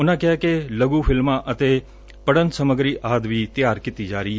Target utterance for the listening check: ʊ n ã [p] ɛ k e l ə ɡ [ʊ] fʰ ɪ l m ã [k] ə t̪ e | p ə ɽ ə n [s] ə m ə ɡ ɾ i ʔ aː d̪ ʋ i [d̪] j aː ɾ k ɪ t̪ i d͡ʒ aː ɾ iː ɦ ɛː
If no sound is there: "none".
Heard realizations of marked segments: k, u, ʔ, s, t̪

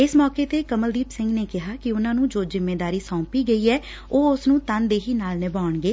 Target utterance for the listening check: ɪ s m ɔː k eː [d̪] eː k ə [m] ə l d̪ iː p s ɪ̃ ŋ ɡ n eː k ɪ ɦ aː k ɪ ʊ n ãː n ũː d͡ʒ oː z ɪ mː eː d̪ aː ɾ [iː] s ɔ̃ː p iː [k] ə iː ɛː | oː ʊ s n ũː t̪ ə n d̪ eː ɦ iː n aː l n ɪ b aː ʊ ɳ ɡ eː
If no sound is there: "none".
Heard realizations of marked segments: t̪, m, iː, ɡ

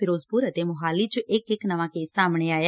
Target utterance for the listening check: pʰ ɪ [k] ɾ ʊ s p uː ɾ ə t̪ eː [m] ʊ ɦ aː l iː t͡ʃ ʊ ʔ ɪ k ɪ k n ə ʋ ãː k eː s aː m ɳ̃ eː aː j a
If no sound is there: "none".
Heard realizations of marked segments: none, m

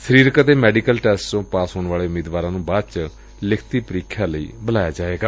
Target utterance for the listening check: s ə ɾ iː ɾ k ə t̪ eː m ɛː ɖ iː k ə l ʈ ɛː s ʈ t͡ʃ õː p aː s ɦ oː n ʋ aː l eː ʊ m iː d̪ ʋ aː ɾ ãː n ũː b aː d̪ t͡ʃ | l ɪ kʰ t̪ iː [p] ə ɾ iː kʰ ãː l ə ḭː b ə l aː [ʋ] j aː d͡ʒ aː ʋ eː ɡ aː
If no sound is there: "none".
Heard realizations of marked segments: p, none

